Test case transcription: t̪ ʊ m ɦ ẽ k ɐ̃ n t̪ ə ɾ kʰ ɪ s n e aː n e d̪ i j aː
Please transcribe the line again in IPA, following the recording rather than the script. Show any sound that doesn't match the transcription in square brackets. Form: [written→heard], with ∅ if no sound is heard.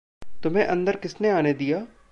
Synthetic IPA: t̪ ʊ m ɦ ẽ [k→ʔ] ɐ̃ n [t̪→d̪] ə ɾ [kʰ→k] ɪ s n e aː n e d̪ i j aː